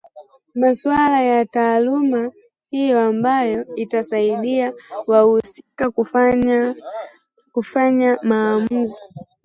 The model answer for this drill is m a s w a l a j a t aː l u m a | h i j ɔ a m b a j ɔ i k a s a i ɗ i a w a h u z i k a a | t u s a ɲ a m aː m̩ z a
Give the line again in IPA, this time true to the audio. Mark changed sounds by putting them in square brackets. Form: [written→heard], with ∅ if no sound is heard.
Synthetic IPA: m a s w a l a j a t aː l u m a | h i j ɔ a m b a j ɔ i [k→t] a s a i ɗ i a w a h u [z→s] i k a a | [t→k] u [s→f] a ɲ a m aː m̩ z [a→i]